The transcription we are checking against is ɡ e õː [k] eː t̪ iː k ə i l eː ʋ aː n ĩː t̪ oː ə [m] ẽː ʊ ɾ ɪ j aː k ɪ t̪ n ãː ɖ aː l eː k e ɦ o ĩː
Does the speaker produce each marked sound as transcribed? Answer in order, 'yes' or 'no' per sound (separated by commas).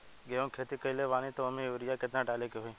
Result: no, yes